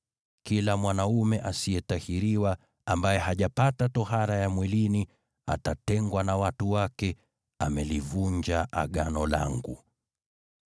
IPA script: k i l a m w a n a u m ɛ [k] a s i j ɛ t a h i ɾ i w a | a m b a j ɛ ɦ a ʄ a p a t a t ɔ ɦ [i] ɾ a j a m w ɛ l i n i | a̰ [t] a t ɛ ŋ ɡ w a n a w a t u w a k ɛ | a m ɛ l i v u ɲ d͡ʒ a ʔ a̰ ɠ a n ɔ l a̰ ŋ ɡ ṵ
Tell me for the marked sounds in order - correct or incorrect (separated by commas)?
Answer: incorrect, incorrect, correct